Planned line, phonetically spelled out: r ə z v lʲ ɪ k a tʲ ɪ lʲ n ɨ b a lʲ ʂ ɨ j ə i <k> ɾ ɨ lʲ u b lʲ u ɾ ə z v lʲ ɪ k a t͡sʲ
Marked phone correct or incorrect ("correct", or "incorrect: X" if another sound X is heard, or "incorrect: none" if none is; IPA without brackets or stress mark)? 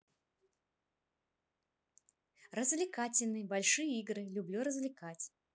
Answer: incorrect: ɡ